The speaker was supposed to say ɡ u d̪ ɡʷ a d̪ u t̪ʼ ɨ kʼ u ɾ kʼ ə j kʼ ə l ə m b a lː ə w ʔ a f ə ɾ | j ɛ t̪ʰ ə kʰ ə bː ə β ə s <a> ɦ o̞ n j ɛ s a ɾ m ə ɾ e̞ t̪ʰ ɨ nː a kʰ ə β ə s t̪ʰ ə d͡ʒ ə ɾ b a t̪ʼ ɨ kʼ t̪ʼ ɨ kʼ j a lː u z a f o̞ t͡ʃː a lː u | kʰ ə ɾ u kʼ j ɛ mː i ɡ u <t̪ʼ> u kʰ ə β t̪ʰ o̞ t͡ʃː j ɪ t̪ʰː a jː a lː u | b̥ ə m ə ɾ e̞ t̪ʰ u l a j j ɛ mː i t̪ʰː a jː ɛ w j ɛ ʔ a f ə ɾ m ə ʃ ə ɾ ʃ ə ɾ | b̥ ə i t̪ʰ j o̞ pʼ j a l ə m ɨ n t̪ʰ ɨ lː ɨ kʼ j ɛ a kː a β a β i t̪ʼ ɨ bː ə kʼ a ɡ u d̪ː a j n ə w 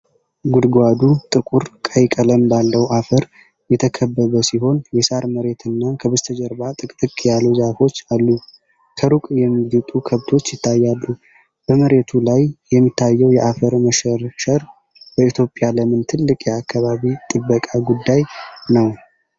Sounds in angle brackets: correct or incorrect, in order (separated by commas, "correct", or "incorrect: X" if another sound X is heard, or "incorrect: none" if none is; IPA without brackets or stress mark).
incorrect: i, correct